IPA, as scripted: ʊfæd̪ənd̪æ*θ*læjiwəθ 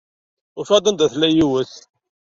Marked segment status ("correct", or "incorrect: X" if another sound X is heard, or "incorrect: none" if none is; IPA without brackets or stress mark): correct